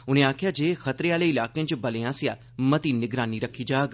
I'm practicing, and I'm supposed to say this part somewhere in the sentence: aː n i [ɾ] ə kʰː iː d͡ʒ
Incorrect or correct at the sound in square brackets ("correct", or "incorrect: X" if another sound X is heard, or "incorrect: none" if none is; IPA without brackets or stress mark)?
correct